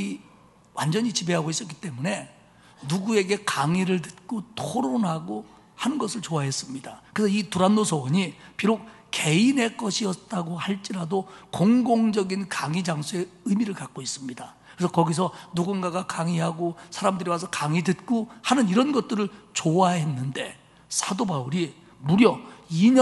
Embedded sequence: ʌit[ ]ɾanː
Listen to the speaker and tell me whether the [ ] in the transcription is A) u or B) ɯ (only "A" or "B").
A